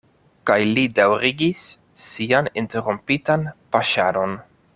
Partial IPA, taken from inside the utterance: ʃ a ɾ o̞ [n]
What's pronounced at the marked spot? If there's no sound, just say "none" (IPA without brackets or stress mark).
n